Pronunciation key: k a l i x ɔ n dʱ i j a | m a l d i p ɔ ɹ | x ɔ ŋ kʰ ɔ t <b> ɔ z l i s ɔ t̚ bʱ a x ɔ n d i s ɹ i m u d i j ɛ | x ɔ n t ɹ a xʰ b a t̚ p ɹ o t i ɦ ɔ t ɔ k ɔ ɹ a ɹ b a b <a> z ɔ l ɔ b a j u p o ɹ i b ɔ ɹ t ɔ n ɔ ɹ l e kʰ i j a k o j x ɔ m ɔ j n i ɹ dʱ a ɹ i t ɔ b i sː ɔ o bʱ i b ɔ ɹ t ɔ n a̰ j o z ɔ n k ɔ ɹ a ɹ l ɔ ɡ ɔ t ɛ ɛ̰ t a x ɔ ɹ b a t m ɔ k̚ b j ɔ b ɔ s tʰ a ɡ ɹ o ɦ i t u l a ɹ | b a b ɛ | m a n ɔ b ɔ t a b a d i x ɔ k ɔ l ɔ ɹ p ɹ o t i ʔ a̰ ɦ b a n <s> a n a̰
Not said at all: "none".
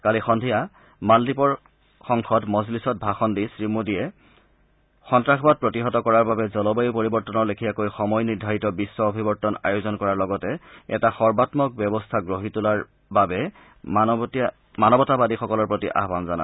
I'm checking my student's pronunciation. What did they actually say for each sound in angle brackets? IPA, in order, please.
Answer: m, ɛ, z

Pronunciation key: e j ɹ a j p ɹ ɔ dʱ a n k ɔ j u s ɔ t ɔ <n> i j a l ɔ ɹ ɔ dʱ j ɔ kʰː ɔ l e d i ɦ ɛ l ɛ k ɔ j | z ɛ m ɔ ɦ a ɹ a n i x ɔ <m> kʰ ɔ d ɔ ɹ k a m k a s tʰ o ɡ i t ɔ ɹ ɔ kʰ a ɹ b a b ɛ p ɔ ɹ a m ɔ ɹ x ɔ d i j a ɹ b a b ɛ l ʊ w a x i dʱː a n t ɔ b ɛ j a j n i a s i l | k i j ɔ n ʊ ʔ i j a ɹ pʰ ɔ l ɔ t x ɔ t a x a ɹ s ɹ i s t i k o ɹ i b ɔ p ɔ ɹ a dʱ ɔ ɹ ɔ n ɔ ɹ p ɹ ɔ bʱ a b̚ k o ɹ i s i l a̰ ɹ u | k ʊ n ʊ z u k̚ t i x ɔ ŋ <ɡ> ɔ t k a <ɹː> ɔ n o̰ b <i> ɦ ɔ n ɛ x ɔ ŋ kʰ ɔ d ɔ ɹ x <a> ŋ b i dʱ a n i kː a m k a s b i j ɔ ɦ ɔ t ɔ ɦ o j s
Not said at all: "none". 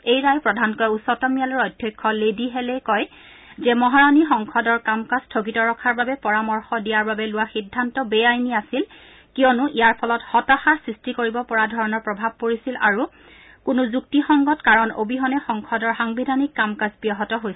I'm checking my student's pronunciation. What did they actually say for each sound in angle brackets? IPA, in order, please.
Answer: m, ŋ, ɡ, ɹ, i, a

